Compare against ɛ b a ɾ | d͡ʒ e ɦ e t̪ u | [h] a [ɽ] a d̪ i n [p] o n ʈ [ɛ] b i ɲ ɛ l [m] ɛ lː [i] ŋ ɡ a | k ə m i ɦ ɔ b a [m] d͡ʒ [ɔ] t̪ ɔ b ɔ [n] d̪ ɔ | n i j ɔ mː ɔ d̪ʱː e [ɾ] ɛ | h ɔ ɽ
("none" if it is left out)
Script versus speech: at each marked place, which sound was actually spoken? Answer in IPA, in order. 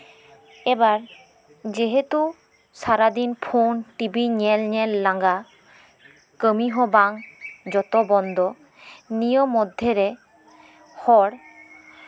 s, ɾ, pʰ, i, ɲ, a, ŋ, ɔ, n, ɾ

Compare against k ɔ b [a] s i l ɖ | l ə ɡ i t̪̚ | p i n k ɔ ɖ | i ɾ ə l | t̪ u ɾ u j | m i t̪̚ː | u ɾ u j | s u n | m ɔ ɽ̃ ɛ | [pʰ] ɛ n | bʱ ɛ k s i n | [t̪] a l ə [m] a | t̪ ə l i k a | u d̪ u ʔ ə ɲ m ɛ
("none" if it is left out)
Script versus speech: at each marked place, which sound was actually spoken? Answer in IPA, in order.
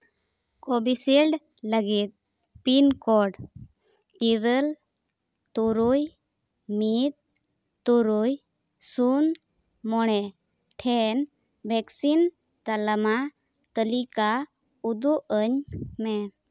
i, ʈʰ, t̪, m

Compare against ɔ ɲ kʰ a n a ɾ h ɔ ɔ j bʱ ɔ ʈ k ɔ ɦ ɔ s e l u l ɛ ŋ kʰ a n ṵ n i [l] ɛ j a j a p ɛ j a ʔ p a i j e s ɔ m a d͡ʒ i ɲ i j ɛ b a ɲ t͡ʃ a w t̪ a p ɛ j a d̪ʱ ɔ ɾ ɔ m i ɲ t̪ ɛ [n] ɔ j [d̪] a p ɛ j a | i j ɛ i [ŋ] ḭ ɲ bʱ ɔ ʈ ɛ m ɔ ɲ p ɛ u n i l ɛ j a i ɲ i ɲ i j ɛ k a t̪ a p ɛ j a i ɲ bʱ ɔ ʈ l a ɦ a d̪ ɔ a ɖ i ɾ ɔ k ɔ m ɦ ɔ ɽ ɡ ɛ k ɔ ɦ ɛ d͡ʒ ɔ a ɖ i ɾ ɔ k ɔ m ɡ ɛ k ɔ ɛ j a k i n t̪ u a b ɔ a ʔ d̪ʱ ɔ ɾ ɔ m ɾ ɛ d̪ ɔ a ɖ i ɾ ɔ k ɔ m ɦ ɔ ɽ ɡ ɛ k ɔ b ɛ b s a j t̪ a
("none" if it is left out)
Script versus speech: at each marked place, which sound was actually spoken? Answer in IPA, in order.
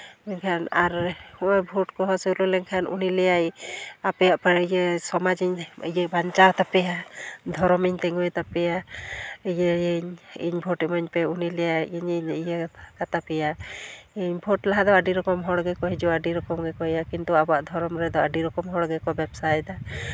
l, ŋ, t̪, ɲ

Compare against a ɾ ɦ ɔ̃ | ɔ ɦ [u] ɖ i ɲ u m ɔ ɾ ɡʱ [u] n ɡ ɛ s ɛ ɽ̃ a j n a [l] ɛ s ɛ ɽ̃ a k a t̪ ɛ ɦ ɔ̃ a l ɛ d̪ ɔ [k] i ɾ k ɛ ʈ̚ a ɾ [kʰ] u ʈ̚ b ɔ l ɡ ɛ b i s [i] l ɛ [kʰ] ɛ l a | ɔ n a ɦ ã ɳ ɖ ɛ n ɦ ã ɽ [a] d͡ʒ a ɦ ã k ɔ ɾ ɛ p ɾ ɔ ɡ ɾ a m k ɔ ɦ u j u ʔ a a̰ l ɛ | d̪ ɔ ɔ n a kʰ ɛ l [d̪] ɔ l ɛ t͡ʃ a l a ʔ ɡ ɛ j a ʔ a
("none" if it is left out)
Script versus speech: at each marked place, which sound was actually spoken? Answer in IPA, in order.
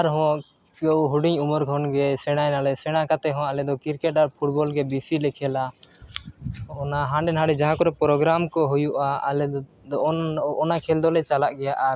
u, ɔ, l, k, pʰ, i, kʰ, ɛ, d̪

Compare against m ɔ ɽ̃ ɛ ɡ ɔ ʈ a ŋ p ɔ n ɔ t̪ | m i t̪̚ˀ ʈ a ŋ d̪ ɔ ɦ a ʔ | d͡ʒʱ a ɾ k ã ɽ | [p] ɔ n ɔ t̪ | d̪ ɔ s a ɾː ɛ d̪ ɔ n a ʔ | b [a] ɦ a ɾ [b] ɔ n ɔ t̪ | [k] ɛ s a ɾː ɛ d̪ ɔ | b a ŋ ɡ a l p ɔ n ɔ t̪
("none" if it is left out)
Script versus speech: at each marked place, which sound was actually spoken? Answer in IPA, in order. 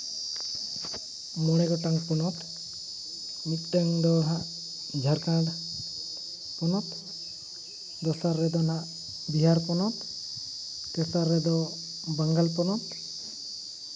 p, i, p, k

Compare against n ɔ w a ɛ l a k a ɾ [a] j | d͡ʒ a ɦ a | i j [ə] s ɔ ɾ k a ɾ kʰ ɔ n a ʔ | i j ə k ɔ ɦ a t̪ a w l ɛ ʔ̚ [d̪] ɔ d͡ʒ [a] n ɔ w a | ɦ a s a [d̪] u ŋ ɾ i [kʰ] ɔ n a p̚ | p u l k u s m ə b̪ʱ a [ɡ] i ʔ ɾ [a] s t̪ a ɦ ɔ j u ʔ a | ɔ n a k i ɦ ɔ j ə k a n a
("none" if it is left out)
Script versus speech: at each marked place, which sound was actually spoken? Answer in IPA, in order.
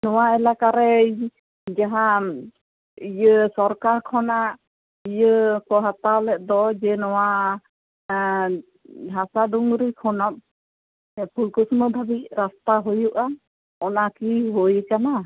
ɛ, ə, d̪, ɛ, d̪, kʰ, b, a

